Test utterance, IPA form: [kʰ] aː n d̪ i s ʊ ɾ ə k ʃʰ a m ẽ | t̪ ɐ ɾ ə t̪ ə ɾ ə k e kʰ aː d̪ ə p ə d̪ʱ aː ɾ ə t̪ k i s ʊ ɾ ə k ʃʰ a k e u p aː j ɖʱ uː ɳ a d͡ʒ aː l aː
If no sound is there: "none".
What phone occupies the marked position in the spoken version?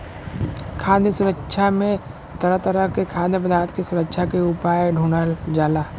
kʰ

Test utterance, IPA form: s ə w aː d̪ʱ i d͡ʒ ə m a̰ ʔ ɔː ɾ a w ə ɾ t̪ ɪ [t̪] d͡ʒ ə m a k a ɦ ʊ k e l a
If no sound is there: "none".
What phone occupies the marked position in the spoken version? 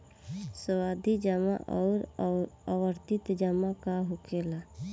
t̪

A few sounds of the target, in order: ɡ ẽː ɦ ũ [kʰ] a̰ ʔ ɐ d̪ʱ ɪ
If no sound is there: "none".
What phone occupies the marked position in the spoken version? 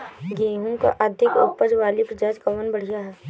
k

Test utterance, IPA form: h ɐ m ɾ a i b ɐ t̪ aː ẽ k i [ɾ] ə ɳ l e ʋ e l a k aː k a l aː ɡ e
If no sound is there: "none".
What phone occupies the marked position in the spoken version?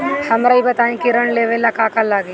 ɾ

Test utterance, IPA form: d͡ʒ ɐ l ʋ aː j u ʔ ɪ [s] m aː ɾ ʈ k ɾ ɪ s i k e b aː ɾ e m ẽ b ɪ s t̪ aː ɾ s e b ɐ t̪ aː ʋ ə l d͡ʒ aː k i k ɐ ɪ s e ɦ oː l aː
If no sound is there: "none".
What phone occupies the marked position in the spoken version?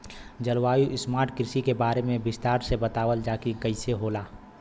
s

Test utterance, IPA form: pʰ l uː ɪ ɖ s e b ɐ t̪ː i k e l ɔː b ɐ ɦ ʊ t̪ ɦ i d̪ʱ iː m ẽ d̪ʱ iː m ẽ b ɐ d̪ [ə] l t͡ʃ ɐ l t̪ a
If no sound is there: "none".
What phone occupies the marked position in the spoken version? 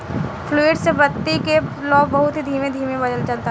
ə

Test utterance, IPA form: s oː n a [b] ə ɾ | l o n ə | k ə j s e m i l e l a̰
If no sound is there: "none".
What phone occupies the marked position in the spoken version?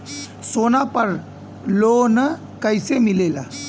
p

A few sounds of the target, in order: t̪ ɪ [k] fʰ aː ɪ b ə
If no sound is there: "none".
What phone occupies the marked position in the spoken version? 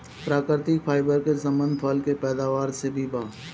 k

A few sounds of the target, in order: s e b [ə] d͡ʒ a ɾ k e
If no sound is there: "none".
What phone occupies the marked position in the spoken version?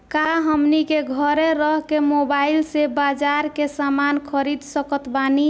a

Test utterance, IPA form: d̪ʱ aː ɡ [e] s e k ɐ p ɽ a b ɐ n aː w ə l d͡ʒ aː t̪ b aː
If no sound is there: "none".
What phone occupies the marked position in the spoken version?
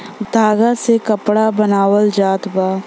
a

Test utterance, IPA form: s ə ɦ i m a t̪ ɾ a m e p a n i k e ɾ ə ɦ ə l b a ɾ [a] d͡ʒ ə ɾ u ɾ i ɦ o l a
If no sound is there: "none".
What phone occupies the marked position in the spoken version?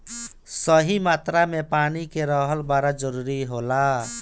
a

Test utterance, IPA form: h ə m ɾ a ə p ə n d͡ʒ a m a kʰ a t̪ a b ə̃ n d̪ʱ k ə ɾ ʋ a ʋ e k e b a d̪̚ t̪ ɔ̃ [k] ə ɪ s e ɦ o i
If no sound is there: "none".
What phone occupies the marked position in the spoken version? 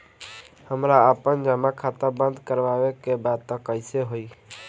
k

